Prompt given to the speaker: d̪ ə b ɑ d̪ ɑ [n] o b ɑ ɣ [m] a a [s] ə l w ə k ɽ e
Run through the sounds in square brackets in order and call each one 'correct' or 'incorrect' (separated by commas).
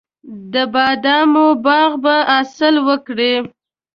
incorrect, incorrect, correct